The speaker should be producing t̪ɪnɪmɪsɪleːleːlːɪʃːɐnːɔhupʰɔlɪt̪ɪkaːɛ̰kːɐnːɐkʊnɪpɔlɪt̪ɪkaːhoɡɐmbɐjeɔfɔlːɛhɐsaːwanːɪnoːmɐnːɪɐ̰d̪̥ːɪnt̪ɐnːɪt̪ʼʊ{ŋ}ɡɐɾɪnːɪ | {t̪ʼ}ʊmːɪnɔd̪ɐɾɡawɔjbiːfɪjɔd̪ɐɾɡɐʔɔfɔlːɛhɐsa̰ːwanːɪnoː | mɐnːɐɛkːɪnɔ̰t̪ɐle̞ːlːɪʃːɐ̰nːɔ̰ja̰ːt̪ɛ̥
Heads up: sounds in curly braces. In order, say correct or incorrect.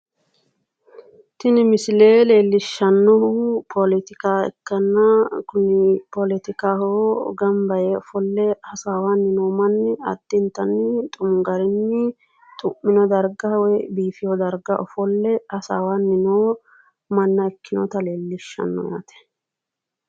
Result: incorrect: m, correct

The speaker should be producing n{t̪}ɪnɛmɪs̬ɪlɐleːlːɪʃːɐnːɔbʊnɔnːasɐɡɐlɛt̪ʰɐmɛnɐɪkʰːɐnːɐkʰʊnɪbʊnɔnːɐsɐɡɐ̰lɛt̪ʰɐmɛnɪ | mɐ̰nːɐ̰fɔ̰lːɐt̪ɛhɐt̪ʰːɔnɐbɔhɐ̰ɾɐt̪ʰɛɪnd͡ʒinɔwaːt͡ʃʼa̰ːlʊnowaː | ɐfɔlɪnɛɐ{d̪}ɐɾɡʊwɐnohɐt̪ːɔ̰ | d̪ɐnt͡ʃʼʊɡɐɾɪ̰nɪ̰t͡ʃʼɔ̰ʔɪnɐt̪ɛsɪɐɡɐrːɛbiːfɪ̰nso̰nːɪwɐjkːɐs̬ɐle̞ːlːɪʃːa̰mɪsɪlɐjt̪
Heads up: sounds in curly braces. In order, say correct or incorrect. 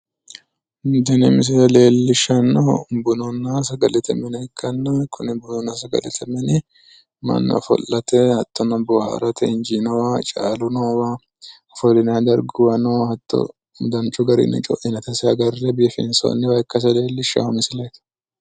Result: incorrect: d̪, correct

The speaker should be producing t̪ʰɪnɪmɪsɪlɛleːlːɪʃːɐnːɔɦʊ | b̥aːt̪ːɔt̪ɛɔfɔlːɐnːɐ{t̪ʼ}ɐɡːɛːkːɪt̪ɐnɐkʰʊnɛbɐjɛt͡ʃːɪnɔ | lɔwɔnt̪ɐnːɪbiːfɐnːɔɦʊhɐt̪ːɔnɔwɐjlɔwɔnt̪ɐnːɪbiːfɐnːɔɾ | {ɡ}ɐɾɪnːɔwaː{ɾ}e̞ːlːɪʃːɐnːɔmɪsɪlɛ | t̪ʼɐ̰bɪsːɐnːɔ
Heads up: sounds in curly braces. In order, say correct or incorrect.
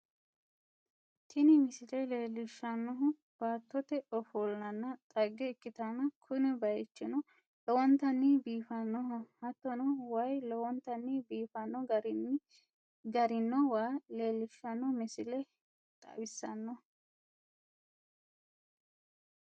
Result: correct, correct, incorrect: l

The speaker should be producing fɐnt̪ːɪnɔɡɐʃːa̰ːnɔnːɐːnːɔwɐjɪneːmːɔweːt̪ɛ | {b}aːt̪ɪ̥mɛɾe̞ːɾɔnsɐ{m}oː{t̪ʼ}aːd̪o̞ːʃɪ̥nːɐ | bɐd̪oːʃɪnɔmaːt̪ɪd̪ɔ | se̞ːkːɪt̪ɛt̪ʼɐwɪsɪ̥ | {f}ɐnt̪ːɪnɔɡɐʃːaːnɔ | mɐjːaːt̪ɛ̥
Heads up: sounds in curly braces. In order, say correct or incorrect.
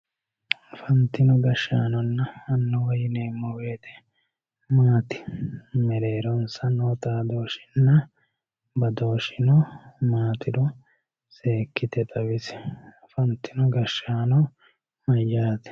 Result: incorrect: m, incorrect: n, incorrect: t̪, correct

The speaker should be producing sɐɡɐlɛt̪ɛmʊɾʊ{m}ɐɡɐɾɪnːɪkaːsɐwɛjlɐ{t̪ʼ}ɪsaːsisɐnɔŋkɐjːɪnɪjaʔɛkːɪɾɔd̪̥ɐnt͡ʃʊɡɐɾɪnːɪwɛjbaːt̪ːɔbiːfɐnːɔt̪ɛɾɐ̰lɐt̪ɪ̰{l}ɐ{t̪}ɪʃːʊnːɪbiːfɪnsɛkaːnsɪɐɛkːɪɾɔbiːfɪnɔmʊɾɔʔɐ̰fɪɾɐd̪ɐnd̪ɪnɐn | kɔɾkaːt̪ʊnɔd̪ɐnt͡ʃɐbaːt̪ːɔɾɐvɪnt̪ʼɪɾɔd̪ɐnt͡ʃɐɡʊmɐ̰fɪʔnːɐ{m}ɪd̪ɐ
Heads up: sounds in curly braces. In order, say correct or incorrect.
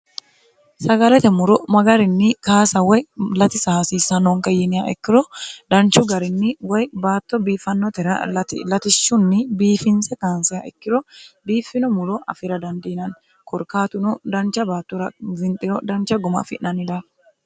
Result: correct, incorrect: t̪, correct, correct, incorrect: n

